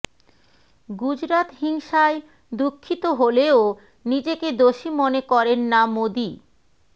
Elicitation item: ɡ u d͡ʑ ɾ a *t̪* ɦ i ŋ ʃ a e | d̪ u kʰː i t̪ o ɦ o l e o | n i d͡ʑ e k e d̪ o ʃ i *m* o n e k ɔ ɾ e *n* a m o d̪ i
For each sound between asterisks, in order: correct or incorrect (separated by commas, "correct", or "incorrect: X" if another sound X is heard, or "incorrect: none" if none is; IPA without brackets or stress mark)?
correct, correct, incorrect: nː